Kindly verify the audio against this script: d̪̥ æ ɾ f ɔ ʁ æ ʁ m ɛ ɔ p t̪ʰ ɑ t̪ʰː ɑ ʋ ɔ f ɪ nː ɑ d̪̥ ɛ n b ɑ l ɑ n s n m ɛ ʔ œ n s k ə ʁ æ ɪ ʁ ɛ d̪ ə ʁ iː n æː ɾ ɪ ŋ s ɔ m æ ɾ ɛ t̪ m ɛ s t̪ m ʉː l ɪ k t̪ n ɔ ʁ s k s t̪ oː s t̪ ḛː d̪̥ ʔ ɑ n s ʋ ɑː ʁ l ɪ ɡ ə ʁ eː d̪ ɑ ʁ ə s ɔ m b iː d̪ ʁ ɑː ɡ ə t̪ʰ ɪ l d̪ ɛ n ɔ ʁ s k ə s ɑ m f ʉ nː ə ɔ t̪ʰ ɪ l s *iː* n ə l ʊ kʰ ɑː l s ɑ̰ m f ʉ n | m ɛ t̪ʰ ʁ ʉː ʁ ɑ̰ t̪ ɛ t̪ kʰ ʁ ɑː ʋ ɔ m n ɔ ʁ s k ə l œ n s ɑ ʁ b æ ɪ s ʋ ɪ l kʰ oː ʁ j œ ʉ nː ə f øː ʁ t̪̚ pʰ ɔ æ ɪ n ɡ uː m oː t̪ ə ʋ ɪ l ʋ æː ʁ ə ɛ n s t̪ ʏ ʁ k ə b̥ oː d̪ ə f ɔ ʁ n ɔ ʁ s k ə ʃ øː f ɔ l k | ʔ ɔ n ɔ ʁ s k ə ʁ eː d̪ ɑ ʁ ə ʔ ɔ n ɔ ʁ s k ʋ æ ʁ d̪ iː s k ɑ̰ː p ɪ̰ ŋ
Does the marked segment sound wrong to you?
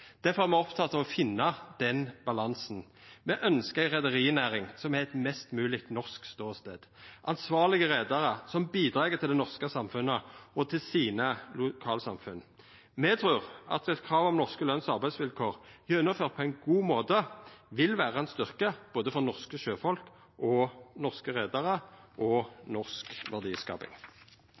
no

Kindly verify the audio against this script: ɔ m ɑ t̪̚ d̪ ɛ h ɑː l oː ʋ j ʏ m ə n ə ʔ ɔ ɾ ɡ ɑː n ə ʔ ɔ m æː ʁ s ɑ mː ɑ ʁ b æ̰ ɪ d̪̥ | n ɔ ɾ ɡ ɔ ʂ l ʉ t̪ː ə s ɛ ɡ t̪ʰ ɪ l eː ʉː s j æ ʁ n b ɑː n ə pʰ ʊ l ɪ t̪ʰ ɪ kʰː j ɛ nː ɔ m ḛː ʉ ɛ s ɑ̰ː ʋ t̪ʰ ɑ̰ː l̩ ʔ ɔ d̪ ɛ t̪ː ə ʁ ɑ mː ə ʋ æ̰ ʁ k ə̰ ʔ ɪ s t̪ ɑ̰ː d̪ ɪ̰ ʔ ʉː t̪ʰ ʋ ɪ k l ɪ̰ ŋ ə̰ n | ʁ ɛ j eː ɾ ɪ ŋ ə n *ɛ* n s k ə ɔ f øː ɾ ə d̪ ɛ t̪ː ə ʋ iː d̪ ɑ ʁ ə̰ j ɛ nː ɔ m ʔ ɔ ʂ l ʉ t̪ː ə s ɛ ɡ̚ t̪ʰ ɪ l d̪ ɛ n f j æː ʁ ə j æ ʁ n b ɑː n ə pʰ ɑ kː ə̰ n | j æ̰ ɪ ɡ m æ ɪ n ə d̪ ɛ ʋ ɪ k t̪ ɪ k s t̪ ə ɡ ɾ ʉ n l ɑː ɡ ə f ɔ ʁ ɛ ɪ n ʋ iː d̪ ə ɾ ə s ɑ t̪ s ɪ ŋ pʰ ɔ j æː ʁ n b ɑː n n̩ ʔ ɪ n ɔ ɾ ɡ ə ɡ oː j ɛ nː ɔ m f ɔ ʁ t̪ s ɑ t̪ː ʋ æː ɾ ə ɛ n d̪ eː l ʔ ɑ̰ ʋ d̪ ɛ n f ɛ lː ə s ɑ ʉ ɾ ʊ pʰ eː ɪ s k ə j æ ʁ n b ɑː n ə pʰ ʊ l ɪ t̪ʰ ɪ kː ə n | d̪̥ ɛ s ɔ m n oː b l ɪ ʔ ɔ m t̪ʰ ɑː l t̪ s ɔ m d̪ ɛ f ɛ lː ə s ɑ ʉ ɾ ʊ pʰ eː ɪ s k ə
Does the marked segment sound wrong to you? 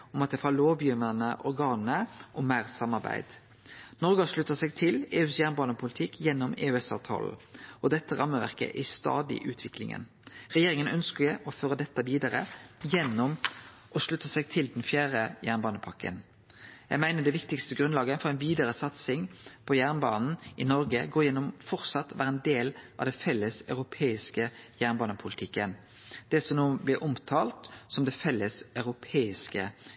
yes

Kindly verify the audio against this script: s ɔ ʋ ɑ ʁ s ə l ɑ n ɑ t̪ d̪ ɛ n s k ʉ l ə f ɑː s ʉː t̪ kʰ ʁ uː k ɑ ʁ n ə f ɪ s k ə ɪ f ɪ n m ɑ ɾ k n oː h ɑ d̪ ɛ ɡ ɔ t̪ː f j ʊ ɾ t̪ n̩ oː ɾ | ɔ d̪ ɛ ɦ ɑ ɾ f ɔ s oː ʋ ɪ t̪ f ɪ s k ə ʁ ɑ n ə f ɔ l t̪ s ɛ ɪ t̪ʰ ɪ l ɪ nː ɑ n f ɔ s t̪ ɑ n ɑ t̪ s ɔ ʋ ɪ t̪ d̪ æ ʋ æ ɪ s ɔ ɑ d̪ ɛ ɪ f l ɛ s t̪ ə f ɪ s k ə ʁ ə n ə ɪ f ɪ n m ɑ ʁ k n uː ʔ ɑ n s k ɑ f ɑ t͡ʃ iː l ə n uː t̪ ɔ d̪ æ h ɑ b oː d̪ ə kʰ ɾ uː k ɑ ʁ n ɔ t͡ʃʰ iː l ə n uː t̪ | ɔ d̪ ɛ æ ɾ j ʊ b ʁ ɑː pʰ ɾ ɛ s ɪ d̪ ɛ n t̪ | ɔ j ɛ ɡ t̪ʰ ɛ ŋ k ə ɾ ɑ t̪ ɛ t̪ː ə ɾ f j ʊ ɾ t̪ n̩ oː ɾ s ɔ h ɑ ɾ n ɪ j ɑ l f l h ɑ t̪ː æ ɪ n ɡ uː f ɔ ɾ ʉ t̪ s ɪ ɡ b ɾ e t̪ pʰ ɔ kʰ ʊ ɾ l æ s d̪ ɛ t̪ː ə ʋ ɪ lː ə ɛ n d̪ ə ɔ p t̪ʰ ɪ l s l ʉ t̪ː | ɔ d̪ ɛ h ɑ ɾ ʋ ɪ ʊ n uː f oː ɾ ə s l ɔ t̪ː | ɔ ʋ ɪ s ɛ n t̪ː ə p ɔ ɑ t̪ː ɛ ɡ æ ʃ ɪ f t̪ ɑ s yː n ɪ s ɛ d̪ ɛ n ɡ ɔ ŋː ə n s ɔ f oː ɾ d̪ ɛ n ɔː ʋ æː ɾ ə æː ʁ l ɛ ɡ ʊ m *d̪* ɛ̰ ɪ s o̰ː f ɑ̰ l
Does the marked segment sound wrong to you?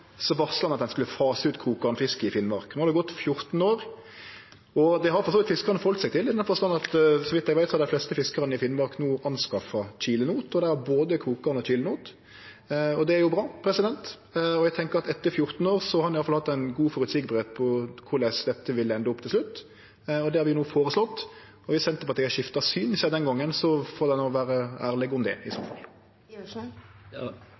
no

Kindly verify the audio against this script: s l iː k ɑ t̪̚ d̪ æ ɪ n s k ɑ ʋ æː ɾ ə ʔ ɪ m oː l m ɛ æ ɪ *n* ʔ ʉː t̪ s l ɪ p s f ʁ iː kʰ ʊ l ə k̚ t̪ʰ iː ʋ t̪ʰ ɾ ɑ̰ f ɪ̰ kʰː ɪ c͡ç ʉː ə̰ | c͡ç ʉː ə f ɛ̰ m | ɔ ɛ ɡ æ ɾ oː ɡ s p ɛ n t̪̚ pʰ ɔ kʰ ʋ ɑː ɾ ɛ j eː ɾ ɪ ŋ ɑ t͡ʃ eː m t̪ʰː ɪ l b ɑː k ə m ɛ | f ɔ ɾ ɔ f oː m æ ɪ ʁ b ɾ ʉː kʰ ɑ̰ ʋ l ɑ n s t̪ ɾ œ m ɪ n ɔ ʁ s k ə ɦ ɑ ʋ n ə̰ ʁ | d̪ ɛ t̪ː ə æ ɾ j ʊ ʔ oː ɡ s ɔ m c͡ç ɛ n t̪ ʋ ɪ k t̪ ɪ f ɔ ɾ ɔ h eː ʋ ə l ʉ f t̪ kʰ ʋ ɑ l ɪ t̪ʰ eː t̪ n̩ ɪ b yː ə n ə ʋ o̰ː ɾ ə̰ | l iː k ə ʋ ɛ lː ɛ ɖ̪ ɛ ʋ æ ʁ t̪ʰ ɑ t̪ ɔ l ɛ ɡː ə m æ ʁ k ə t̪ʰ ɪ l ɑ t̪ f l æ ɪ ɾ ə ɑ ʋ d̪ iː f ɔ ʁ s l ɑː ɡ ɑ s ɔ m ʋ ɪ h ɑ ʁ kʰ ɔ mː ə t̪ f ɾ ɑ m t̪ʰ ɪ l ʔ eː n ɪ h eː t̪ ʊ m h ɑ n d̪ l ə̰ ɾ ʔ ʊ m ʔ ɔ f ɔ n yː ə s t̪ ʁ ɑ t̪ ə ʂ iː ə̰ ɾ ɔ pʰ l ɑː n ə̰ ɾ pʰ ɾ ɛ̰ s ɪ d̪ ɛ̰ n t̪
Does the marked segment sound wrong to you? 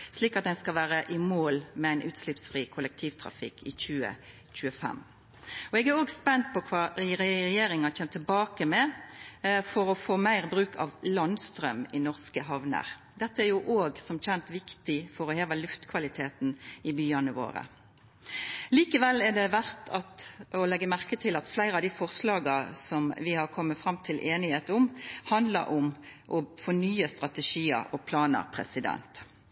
no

